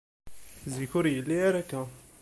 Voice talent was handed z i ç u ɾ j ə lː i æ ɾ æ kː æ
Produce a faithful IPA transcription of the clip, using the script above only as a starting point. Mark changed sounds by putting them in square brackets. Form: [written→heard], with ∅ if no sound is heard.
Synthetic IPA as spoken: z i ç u ɾ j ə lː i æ ɾ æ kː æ